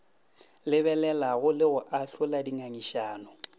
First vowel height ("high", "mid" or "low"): high